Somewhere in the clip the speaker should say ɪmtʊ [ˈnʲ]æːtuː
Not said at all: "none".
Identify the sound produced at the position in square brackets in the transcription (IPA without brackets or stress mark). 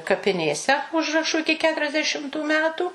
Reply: mʲ